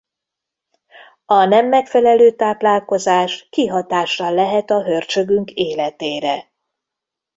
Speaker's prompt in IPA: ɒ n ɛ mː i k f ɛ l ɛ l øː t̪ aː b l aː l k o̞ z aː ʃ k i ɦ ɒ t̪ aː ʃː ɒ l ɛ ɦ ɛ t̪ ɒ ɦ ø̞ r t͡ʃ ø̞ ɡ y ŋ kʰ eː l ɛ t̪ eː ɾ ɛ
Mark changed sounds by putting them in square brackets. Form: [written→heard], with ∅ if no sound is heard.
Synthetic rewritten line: ɒ n ɛ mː [i→ɛ] k f ɛ l ɛ l øː t̪ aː [b→p] l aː l k o̞ z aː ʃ k i ɦ ɒ t̪ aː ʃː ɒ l ɛ ɦ ɛ t̪ ɒ ɦ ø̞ r t͡ʃ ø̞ ɡ y ŋ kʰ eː l ɛ t̪ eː ɾ ɛ

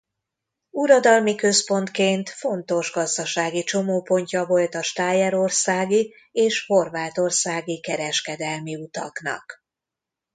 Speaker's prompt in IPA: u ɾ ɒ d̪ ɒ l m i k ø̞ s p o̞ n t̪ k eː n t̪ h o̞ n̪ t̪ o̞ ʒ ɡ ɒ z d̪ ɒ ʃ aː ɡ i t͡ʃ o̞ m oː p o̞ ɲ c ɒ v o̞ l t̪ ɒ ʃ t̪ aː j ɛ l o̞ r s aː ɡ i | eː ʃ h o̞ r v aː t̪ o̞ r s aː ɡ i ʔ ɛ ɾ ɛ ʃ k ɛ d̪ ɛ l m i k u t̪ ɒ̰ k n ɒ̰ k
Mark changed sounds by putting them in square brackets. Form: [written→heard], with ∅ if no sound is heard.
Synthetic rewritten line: u ɾ ɒ d̪ ɒ l m i k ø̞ s p o̞ n t̪ k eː n t̪ [h→f] o̞ n̪ t̪ o̞ ʒ ɡ ɒ z d̪ ɒ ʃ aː ɡ i t͡ʃ o̞ m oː p o̞ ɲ c ɒ v o̞ l t̪ ɒ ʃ t̪ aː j ɛ [l→ɾ] o̞ r s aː ɡ i | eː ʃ h o̞ r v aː t̪ o̞ r s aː ɡ i [ʔ→k] ɛ ɾ ɛ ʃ k ɛ d̪ ɛ l m i [k→∅] u t̪ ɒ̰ k n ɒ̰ k

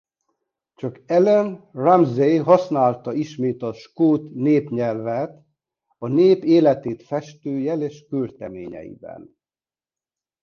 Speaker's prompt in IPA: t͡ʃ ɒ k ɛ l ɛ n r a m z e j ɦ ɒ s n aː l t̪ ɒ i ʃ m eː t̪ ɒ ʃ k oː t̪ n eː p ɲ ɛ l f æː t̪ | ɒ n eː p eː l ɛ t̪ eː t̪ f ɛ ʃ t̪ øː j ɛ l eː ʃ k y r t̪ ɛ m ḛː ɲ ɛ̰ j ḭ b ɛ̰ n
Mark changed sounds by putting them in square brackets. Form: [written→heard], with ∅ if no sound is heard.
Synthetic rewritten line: t͡ʃ ɒ k ɛ l ɛ n r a m z e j ɦ ɒ s n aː l t̪ ɒ i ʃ m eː t̪ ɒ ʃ k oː t̪ n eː p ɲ ɛ l [f→v] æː t̪ | ɒ n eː p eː l ɛ t̪ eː t̪ f ɛ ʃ t̪ øː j ɛ l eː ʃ k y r t̪ ɛ m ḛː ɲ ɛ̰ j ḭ b ɛ̰ n

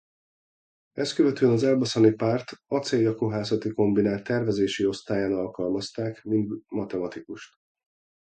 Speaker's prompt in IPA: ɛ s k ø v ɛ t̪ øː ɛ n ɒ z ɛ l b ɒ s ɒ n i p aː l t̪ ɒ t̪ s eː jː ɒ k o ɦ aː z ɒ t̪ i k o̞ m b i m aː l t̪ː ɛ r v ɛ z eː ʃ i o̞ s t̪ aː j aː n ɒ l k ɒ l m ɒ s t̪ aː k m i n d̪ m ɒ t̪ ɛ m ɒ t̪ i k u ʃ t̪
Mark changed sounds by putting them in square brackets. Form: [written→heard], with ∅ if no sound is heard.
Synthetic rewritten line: ɛ s k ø v ɛ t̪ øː ɛ n ɒ z ɛ l b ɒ s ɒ n i p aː [l→r] t̪ ɒ t̪ s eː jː ɒ k o ɦ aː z ɒ t̪ i k o̞ m b i [m→n] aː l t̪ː ɛ r v ɛ z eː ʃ i o̞ s t̪ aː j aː n ɒ l k ɒ l m ɒ s t̪ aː k m i n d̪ m ɒ t̪ ɛ m ɒ t̪ i k u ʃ t̪

